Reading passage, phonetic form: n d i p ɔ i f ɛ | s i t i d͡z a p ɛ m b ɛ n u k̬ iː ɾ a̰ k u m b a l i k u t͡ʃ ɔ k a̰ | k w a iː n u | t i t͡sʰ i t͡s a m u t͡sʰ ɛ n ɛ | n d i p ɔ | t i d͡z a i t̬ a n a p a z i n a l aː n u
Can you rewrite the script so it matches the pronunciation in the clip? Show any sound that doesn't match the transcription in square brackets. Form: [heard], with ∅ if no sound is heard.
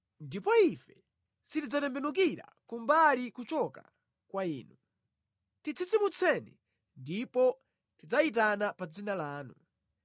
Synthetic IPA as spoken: n d i p ɔ i f ɛ | s i t i d͡z a [t] ɛ m b ɛ n u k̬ [i] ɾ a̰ k u m b a l i k u t͡ʃ ɔ k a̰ | k w a iː n u | t i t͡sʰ i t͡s [i] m u t͡sʰ ɛ n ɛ | n d i p ɔ | t i d͡z a i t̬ a n a p a [d͡z] i n a l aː n u